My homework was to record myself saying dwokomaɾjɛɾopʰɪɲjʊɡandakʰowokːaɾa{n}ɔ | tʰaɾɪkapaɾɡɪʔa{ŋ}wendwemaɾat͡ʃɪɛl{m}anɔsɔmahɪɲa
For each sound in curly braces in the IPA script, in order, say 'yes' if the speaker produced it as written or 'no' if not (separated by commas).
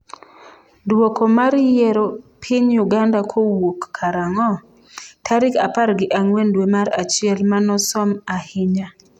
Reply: no, yes, yes